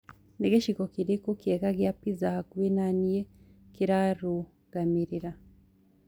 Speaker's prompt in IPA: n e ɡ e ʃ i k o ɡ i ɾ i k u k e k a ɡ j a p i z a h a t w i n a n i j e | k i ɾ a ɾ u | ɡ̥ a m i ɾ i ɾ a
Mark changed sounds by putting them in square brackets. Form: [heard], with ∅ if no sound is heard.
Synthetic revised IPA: n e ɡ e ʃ i k o [k] i ɾ i k u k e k a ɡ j a p i z a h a [k] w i n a n i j e | k i ɾ a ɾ u | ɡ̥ a m i ɾ i ɾ a